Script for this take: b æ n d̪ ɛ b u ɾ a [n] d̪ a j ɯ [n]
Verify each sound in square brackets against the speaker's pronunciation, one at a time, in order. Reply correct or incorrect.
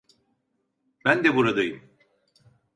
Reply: incorrect, incorrect

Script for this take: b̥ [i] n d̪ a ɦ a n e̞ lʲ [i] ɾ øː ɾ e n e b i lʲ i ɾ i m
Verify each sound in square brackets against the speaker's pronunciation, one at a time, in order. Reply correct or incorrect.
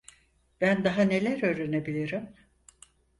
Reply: incorrect, incorrect

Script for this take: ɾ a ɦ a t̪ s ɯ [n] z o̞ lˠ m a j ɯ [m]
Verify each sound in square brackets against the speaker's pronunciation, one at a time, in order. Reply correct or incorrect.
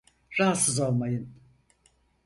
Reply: incorrect, incorrect

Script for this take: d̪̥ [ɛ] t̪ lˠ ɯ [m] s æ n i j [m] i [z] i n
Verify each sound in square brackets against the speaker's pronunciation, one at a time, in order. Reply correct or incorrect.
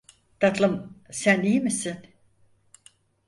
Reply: incorrect, correct, correct, incorrect

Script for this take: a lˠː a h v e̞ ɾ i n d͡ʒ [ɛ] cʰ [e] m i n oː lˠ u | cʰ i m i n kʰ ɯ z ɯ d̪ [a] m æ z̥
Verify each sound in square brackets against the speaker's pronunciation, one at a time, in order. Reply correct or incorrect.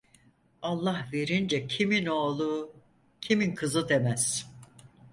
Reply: correct, incorrect, incorrect

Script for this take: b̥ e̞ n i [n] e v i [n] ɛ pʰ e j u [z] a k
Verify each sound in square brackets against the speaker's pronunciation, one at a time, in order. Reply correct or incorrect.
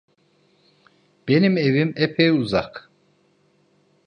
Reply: incorrect, incorrect, correct

